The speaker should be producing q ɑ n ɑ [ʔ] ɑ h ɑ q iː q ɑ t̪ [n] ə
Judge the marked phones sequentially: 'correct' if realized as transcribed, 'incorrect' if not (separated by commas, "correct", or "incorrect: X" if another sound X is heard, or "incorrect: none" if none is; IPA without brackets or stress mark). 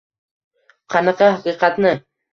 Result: incorrect: q, correct